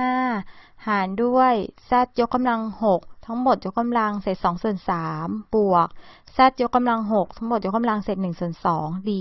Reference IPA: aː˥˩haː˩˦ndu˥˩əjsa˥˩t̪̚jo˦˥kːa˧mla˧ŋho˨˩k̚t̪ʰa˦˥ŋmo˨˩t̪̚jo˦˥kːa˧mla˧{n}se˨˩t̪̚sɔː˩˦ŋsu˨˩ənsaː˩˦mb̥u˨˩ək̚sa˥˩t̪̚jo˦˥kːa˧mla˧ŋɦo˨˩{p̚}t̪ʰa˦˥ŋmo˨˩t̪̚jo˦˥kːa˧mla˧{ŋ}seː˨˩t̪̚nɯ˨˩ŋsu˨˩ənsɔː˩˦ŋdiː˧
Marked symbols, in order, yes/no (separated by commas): no, no, yes